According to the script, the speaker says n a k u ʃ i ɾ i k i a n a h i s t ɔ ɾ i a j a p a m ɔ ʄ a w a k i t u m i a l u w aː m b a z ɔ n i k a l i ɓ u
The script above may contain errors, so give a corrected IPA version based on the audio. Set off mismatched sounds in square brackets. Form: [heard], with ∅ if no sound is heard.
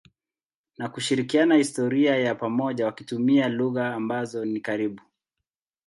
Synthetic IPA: n a k u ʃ i ɾ i k i a n a h i s t ɔ ɾ i a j a p a m ɔ ʄ a w a k i t u m i a l u [ɣ] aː m b a z ɔ n i k a [ɾ] i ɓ u